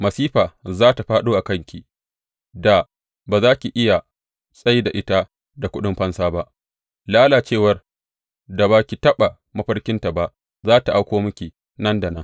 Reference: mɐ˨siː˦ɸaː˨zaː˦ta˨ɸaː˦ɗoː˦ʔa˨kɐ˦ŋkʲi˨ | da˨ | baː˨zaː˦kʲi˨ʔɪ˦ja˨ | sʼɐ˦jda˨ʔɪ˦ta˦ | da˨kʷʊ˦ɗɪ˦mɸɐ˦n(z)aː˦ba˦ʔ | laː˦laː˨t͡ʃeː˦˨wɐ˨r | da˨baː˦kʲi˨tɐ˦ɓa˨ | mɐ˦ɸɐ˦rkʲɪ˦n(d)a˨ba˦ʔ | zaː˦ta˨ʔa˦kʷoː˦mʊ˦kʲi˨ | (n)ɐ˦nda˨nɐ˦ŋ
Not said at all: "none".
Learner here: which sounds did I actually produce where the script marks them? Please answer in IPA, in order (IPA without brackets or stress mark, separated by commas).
s, t, n